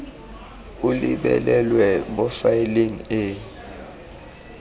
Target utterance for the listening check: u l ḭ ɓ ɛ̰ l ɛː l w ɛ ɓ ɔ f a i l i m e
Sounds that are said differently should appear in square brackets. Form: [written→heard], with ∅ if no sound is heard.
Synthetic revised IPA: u l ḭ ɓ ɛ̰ l [ɛː→ɛ] l w ɛ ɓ ɔ f a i l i [m→ŋ] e